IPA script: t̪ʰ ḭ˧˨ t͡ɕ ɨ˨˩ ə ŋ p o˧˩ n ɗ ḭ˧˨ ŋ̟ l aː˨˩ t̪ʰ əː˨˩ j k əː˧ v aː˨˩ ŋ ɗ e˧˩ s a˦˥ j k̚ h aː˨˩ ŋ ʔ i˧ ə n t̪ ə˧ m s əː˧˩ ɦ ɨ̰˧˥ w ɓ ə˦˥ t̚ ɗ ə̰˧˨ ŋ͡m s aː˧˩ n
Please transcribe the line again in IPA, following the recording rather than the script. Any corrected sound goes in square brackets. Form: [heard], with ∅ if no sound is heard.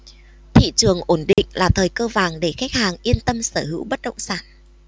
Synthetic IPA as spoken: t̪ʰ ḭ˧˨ t͡ɕ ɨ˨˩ ə ŋ [ʔ] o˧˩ n ɗ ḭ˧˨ ŋ̟ l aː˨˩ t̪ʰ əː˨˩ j k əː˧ v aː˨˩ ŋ ɗ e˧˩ [x] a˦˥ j k̚ h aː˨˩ ŋ ʔ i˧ ə n t̪ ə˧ m s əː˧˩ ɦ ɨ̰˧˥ w ɓ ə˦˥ t̚ ɗ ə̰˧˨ ŋ͡m s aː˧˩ n